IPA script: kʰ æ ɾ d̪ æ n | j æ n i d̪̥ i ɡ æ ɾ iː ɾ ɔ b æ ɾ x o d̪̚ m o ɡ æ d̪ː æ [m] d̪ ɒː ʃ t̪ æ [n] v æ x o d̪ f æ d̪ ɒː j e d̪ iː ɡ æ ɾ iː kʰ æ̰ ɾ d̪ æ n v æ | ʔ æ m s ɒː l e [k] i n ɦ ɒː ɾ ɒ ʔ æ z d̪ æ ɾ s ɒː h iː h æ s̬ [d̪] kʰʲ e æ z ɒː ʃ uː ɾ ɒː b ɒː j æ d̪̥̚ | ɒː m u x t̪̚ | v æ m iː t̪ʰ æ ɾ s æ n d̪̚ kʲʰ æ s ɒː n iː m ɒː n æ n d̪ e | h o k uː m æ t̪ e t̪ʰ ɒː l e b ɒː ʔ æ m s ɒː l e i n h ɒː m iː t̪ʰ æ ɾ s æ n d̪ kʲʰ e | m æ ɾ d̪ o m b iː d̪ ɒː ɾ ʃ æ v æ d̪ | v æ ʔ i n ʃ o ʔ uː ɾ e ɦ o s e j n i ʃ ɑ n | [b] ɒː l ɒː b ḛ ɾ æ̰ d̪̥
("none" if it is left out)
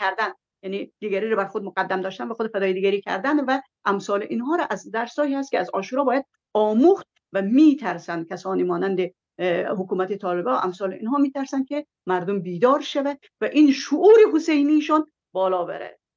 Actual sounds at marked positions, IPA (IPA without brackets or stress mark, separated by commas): m, n, ʔ, t̪, b